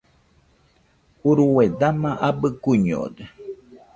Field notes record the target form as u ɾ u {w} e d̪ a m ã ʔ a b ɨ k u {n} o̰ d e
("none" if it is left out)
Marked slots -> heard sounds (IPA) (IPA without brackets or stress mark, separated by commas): w, ɲ